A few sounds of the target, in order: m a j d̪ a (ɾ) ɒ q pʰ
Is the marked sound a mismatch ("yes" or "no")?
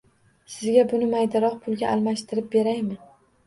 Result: no